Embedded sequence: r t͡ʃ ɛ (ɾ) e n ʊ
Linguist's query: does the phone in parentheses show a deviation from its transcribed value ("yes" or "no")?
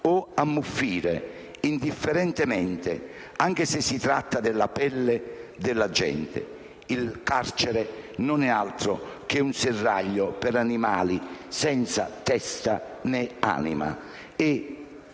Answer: no